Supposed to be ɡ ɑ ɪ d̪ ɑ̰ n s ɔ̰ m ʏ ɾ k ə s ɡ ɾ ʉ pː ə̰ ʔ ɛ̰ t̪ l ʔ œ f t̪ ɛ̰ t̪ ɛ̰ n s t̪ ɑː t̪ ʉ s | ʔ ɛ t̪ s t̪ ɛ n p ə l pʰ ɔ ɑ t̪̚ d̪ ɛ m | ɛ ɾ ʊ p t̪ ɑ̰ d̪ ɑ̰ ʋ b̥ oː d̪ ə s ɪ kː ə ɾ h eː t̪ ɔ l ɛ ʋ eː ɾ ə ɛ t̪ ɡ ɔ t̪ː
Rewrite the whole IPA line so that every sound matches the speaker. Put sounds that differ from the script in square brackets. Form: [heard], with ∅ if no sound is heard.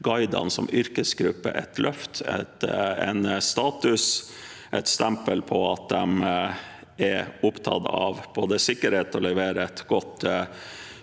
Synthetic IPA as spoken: ɡ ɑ ɪ d̪ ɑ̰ n s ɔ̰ m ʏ ɾ k ə s ɡ ɾ ʉ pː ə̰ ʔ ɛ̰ t̪ l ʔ œ f t̪ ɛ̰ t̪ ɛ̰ n s t̪ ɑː t̪ ʉ s | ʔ ɛ t̪ s t̪ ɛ [m] p ə l pʰ ɔ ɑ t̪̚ d̪ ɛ m | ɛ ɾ ʊ p [t̪ʰ] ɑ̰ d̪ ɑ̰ ʋ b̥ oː d̪ ə s ɪ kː ə ɾ h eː t̪ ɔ l ɛ ʋ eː ɾ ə ɛ t̪ ɡ ɔ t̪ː

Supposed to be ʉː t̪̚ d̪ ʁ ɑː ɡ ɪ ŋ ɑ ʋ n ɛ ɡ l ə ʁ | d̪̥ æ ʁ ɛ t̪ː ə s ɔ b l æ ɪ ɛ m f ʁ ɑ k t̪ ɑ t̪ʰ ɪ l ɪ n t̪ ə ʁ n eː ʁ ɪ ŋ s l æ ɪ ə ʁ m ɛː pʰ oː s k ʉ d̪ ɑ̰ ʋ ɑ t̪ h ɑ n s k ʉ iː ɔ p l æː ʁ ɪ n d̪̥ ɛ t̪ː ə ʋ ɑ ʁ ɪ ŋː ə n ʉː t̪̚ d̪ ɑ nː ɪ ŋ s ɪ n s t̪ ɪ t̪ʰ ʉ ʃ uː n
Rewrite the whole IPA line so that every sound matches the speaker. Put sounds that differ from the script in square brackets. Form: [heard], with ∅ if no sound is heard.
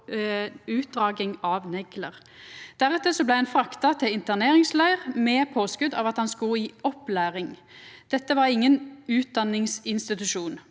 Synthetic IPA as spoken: ʉː t̪̚ d̪ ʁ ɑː ɡ ɪ ŋ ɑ ʋ n ɛ ɡ l ə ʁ | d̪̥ æ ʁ ɛ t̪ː ə s ɔ b l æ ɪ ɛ [n] f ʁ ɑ k t̪ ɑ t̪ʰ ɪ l ɪ n t̪ ə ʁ n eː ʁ ɪ ŋ s l æ ɪ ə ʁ m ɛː pʰ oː s k ʉ d̪ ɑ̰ ʋ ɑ t̪ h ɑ n s k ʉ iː ɔ p l æː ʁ ɪ [ŋ] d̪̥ ɛ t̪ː ə ʋ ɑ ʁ ɪ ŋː ə n ʉː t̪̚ d̪ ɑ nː ɪ ŋ s ɪ n s t̪ ɪ [t̪] ʉ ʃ uː n

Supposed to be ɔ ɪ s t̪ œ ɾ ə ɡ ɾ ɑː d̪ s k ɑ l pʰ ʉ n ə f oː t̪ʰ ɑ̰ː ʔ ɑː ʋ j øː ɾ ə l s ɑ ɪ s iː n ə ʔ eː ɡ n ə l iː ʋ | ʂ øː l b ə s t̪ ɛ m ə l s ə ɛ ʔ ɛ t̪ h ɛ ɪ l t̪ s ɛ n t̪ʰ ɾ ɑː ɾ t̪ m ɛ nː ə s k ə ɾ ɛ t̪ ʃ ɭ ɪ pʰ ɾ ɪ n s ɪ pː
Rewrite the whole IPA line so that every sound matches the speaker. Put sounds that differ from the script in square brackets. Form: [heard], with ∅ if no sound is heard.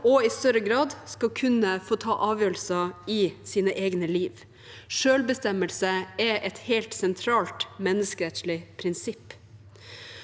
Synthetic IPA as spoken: ɔ ɪ s t̪ œ ɾ ə ɡ ɾ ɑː d̪ s k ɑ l [kʰ] ʉ n ə f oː t̪ʰ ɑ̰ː ʔ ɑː ʋ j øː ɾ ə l s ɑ ɪ s iː n ə ʔ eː ɡ n ə l iː ʋ | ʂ øː l b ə s t̪ ɛ m ə l s ə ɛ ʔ ɛ t̪ h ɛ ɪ l t̪ s ɛ n t̪ʰ ɾ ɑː [l] t̪ m ɛ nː ə s k ə ɾ ɛ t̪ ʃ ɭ ɪ pʰ ɾ ɪ n s ɪ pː

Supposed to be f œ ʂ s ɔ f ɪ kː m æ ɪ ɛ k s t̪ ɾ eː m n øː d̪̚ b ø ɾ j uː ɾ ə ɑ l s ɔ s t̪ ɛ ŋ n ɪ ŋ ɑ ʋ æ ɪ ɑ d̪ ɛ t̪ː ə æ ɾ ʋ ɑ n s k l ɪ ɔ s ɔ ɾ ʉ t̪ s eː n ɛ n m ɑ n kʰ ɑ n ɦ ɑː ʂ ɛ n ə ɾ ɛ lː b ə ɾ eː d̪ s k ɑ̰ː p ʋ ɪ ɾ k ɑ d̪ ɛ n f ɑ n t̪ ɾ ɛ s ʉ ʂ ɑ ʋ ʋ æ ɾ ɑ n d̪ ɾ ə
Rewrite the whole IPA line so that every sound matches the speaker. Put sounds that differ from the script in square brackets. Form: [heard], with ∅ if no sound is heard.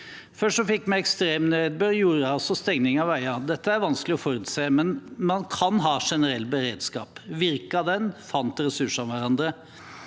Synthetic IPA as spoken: f œ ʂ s ɔ f ɪ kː m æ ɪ ɛ k s t̪ ɾ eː m n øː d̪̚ b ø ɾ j uː ɾ ə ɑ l s ɔ s t̪ ɛ ŋ n ɪ ŋ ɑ ʋ æ ɪ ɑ d̪ ɛ t̪ː ə æ ɾ ʋ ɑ n s k l ɪ ɔ [f] ɔ ɾ ʉ t̪ s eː [m] ɛ n m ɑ n kʰ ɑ n ɦ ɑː ʂ ɛ n ə ɾ ɛ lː b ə ɾ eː d̪ s k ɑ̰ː p ʋ ɪ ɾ k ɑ d̪ ɛ n f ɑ n t̪ ɾ ɛ s ʉ ʂ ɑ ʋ ʋ æ ɾ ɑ n d̪ ɾ ə

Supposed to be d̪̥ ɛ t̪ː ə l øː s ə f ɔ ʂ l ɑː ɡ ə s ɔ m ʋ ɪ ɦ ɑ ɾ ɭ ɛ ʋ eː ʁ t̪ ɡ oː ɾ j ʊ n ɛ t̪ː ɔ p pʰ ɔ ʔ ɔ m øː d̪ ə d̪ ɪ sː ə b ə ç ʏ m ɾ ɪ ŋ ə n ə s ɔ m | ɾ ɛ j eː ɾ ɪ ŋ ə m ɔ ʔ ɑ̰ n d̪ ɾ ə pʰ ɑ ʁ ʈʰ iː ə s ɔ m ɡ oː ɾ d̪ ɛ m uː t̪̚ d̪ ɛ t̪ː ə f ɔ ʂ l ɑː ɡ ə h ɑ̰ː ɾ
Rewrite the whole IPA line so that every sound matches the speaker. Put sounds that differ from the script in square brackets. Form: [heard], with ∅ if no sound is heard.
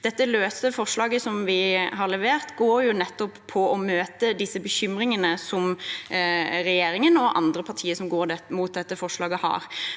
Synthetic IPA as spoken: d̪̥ ɛ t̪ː ə l øː s ə f ɔ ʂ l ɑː ɡ ə s ɔ m ʋ ɪ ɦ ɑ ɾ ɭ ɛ ʋ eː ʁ t̪ ɡ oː ɾ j ʊ n ɛ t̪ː ɔ p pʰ ɔ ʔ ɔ m øː [t̪] ə d̪ ɪ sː ə b ə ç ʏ m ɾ ɪ ŋ ə n ə s ɔ m | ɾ ɛ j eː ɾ ɪ ŋ ə [n] ɔ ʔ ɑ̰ n d̪ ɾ ə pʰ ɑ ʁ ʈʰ iː ə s ɔ m ɡ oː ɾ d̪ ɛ m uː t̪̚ d̪ ɛ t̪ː ə f ɔ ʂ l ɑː ɡ ə h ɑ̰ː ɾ

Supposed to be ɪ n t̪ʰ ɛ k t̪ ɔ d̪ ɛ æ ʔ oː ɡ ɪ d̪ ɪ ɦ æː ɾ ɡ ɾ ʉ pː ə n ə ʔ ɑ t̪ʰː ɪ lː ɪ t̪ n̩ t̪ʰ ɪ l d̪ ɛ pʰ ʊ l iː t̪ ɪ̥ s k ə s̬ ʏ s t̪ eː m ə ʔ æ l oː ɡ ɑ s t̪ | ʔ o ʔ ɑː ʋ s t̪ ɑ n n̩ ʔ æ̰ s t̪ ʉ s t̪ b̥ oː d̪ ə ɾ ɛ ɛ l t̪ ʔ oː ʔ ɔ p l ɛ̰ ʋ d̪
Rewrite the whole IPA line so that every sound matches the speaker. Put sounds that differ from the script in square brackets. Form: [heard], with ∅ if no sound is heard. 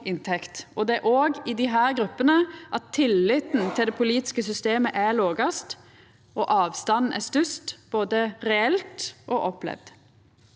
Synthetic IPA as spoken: ɪ n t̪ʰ ɛ k t̪ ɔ d̪ ɛ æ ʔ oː ɡ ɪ d̪ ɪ ɦ æː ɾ ɡ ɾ ʉ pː ə n ə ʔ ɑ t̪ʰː ɪ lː ɪ t̪ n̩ t̪ʰ ɪ l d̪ ɛ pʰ ʊ l iː t̪ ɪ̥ s k ə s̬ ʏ s t̪ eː m ə ʔ æ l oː ɡ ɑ s t̪ | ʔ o ʔ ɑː ʋ s t̪ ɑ n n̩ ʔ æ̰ s t̪ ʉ s t̪ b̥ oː d̪ ə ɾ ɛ ɛ l t̪ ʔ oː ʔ ɔ p l ɛ̰ ʋ d̪

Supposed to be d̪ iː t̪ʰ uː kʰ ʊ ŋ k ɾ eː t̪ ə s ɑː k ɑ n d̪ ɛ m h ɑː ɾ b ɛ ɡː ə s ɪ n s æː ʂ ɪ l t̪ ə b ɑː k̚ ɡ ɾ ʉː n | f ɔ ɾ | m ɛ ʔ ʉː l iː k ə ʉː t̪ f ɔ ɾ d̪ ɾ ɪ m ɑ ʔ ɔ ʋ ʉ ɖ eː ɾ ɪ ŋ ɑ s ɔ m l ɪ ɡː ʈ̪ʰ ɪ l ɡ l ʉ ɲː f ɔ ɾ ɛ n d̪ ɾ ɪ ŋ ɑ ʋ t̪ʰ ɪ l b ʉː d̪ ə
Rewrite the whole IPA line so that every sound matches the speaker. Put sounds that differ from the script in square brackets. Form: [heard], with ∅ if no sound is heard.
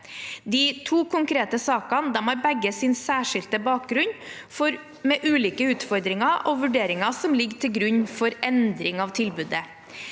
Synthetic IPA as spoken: d̪ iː t̪ʰ uː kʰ ʊ ŋ k ɾ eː t̪ ə s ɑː k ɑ n d̪ ɛ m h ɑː ɾ b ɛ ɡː ə s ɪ n s æː ʂ ɪ l t̪ ə b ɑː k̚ ɡ ɾ [ʉ] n | f ɔ ɾ | m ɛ ʔ ʉː l iː k ə ʉː t̪ f ɔ ɾ d̪ ɾ ɪ [ŋ] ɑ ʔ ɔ ʋ ʉ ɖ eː ɾ ɪ ŋ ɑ s ɔ m l ɪ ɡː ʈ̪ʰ ɪ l ɡ [ɾ] ʉ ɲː f ɔ ɾ ɛ n d̪ ɾ ɪ ŋ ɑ ʋ t̪ʰ ɪ l b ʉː d̪ ə

